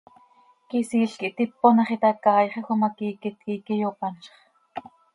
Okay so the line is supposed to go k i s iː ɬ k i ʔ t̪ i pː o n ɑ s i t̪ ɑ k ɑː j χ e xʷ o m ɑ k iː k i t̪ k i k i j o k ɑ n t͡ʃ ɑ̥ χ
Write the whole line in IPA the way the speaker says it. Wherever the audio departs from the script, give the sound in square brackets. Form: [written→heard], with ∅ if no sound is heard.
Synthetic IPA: k i s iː ɬ k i ʔ t̪ i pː o n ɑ [s→χ] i t̪ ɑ k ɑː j χ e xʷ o m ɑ k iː k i t̪ k i k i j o [k→p] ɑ n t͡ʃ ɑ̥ χ